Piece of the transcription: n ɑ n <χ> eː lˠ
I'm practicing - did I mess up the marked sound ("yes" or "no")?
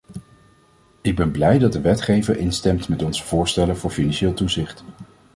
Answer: yes